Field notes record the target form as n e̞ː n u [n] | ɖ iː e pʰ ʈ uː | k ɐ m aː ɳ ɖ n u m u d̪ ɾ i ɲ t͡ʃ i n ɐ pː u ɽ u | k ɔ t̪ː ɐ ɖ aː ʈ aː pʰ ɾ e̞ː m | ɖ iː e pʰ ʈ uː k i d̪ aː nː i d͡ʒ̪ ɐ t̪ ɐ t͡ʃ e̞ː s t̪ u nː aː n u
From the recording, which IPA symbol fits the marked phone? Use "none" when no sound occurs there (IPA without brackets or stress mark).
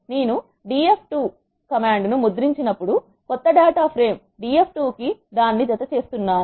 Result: none